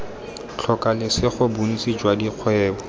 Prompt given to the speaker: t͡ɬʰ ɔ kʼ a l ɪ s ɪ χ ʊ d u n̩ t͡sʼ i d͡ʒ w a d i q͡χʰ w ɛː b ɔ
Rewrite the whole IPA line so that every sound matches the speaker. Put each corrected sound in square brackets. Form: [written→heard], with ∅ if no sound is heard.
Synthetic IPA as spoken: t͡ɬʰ ɔ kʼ a l ɪ s ɪ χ ʊ [d→b] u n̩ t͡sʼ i d͡ʒ w a d i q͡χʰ w ɛː b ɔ